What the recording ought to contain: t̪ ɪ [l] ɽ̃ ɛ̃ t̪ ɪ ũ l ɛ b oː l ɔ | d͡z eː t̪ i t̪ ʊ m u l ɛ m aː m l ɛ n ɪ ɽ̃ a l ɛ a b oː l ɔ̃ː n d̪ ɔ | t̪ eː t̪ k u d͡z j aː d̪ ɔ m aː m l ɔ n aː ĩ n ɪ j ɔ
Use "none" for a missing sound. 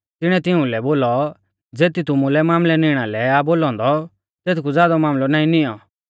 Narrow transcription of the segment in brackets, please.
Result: none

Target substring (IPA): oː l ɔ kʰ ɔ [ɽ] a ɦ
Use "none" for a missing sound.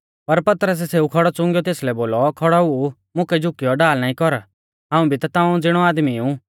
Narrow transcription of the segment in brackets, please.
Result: ɽ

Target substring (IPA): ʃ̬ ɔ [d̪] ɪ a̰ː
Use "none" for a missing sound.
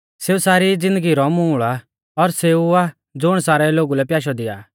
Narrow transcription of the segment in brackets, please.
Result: d̪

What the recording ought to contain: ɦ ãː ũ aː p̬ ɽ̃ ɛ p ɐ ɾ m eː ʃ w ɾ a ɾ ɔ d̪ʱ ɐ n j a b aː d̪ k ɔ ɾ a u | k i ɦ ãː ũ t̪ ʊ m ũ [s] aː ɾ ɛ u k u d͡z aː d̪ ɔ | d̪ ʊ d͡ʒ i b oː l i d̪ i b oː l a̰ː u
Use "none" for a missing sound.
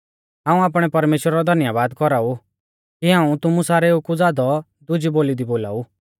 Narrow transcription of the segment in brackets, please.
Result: s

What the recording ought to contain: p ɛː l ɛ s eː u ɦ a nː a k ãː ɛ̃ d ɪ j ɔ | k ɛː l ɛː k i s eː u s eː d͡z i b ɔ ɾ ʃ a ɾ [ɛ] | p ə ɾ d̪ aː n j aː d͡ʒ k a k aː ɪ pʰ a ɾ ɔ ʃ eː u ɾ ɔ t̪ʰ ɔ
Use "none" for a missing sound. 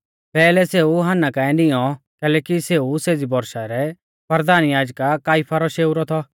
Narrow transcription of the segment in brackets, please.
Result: ɛ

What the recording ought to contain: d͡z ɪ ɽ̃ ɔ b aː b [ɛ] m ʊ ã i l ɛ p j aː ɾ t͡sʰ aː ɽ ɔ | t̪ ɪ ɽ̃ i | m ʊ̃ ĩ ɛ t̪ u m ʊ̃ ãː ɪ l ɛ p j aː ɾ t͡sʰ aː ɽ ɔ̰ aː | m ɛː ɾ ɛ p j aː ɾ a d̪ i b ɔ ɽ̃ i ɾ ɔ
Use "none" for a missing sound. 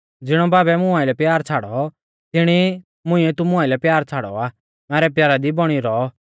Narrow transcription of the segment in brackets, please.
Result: ɛ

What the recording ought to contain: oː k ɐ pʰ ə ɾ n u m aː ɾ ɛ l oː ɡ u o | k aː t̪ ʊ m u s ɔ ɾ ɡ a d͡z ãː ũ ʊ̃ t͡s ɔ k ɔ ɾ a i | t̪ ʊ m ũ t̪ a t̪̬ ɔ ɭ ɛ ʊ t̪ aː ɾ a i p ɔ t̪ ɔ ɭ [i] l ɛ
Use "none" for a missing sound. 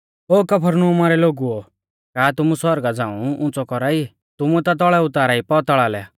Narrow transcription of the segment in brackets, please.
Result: a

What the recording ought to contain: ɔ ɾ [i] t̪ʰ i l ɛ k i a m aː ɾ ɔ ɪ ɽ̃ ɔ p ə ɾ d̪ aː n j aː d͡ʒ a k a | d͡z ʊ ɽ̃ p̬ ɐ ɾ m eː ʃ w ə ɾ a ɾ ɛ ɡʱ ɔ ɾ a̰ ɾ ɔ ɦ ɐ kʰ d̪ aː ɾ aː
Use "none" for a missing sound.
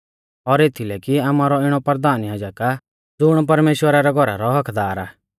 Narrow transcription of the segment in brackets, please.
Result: e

